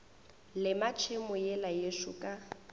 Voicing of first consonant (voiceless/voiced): voiced